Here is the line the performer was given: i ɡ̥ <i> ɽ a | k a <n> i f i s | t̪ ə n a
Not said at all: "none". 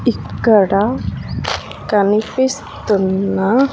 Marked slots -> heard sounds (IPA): a, n

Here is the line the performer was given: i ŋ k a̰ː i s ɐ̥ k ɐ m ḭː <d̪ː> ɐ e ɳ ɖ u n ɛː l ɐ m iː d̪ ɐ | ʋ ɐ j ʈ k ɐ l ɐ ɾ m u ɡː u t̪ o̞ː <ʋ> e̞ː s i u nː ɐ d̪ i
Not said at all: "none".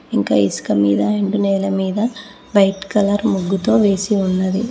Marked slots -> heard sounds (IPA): d̪, ʋ

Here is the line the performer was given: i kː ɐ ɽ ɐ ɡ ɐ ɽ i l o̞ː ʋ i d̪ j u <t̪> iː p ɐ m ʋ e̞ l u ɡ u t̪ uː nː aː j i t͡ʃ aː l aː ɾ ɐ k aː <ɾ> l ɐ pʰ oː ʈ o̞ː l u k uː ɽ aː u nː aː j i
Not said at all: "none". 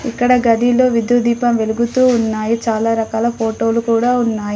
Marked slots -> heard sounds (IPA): d̪, none

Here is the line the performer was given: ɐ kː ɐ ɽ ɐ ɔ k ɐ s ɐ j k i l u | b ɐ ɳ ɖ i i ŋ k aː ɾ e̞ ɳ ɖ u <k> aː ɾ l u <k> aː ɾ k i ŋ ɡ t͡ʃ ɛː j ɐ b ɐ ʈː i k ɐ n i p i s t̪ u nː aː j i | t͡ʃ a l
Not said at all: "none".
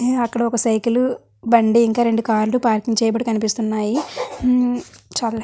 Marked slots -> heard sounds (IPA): k, p

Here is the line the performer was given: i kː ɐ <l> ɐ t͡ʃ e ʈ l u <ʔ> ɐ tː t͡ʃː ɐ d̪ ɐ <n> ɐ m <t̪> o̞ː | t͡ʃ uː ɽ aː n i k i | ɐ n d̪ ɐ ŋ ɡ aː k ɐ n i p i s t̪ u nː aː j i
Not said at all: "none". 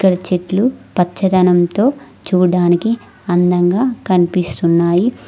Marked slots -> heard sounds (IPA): ɽ, p, n, t̪

